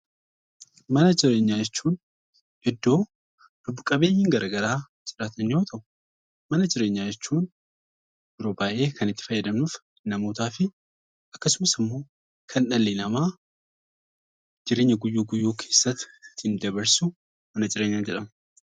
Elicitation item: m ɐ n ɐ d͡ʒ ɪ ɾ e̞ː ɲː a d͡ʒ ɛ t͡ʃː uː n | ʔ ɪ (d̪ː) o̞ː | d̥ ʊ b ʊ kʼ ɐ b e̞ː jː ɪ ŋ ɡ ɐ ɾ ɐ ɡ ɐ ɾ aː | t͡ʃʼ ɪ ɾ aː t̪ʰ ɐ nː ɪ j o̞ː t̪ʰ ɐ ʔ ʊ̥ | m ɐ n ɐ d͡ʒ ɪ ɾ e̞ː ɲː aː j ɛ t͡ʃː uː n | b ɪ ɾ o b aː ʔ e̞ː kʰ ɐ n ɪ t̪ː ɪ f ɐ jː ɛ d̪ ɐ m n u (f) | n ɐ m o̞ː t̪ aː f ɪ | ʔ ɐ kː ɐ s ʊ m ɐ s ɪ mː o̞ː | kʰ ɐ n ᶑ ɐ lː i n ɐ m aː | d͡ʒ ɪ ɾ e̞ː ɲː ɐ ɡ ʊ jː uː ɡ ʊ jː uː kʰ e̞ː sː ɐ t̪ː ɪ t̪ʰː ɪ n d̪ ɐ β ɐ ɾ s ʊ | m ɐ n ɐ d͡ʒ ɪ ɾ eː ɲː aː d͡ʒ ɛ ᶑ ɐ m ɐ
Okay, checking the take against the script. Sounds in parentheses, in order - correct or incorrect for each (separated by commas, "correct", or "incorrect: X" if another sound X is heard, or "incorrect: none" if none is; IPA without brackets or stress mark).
correct, correct